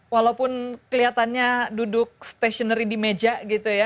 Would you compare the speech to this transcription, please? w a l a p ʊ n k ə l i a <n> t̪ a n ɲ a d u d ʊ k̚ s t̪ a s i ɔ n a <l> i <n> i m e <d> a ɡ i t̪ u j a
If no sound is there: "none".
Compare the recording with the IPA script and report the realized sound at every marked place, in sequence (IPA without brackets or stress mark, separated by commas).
none, ɾ, d, d͡ʒ